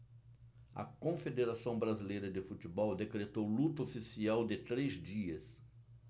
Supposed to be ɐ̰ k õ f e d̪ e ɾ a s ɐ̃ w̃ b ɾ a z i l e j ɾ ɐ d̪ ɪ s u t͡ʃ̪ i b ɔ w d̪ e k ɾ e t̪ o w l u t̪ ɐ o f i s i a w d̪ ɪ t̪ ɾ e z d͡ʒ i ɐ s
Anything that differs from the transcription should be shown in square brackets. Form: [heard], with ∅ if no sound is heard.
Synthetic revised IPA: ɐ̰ k õ f e d̪ e ɾ a s ɐ̃ w̃ b ɾ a z i l e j ɾ ɐ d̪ ɪ [f] u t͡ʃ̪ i b ɔ w d̪ e k ɾ e t̪ o w l u t̪ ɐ o f i s i a w d̪ ɪ t̪ ɾ e z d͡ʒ i ɐ s